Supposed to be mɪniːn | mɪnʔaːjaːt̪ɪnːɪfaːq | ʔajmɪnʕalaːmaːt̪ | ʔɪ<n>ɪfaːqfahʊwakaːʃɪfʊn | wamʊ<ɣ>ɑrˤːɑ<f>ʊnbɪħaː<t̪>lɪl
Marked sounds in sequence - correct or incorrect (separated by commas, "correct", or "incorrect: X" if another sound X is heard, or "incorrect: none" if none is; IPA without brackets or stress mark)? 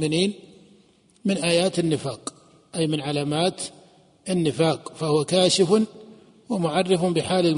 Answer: incorrect: nː, incorrect: ʕ, correct, incorrect: none